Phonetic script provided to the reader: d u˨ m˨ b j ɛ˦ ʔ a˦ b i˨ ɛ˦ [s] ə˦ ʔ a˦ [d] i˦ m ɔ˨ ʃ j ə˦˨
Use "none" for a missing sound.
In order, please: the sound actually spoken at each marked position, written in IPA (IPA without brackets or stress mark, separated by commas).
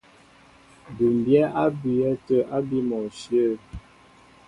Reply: t, b